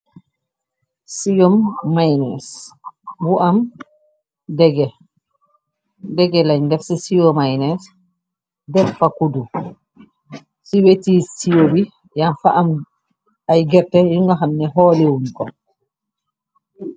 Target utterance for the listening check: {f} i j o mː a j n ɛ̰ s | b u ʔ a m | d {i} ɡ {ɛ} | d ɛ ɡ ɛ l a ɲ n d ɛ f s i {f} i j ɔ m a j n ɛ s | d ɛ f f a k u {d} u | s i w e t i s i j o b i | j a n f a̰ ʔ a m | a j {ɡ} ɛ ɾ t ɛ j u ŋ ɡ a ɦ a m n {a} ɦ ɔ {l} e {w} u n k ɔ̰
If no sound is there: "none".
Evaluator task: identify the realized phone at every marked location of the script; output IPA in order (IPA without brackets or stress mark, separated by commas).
s, ɛ, ɛ, s, d, ɡ, ɛ, l, w